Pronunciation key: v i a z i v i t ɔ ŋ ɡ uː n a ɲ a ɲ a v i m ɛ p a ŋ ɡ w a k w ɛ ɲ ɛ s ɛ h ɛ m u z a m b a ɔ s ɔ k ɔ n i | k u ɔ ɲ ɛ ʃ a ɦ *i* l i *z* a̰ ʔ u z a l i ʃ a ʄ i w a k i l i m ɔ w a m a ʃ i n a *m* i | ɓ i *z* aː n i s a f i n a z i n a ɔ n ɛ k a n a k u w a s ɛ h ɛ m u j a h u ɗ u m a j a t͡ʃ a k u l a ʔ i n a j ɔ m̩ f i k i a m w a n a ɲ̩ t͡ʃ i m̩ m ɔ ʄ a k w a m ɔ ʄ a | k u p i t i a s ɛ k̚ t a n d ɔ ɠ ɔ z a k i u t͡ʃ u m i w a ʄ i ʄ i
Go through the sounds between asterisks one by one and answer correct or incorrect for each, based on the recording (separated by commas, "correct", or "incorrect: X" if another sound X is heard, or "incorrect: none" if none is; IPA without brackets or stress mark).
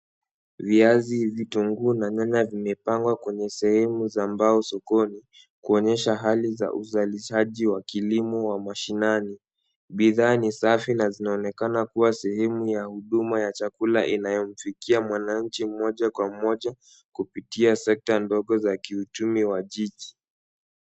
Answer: incorrect: a, correct, incorrect: n, incorrect: ð